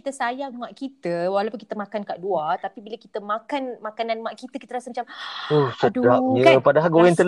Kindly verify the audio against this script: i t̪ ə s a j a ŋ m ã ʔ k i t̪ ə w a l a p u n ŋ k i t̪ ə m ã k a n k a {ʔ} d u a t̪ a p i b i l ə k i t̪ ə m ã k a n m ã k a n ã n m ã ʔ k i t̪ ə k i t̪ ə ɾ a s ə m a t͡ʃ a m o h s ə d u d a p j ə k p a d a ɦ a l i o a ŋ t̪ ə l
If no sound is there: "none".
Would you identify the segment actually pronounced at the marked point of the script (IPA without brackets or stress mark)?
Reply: ʔ